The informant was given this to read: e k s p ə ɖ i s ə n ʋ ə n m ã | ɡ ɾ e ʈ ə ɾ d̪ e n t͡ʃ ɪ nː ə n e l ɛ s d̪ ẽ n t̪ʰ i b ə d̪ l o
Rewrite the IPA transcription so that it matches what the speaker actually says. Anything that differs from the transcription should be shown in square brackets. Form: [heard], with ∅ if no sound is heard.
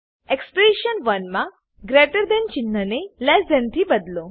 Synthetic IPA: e k s p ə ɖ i [ʃ] ə n ʋ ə n m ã | ɡ ɾ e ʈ ə ɾ d̪ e n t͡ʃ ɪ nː ə n e l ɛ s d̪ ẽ n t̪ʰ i b ə d̪ l o